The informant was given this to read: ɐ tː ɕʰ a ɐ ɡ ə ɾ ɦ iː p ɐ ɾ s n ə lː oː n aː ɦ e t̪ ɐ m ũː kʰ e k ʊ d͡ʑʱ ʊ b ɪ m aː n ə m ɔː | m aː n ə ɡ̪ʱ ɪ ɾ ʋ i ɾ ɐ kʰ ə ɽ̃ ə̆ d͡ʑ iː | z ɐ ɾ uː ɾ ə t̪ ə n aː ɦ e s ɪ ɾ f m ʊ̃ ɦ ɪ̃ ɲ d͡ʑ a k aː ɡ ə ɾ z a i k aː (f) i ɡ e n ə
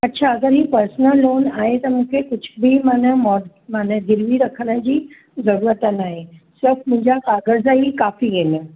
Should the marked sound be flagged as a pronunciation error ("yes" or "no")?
no